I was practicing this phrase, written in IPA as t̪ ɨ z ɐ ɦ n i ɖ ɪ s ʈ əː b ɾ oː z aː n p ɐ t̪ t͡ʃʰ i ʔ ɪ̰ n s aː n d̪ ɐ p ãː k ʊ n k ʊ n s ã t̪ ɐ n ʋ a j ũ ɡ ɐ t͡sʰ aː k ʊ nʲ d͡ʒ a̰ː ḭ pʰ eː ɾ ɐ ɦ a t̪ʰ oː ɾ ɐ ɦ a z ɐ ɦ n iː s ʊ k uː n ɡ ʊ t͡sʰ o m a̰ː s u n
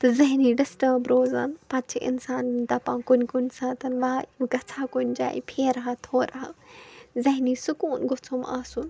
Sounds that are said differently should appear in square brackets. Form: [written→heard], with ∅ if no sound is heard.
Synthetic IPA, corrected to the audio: t̪ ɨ z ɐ ɦ n i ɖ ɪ s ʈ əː b ɾ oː z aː n p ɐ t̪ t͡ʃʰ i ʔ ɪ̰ n s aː n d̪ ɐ p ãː k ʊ n k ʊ n s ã t̪ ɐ n ʋ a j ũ ɡ ɐ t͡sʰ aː k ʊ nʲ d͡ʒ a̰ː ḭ pʰ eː ɾ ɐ ɦ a t̪ʰ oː ɾ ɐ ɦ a z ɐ ɦ n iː s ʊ k uː n ɡ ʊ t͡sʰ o m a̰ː s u n